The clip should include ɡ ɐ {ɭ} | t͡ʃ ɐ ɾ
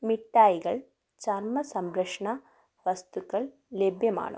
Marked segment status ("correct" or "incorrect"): correct